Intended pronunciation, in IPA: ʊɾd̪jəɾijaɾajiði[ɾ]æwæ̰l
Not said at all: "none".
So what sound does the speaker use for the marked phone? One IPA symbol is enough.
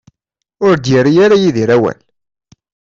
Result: ɾ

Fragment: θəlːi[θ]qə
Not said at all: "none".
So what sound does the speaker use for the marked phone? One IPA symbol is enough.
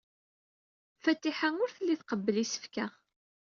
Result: θ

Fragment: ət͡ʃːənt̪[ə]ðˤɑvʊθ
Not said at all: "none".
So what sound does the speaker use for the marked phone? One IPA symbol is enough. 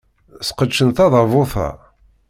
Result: ɑ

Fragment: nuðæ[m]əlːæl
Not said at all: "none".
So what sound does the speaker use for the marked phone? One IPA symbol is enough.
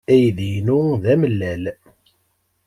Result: m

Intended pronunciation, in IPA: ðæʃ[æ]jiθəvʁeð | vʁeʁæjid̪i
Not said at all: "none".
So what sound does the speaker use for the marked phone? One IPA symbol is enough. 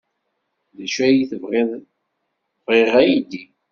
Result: æ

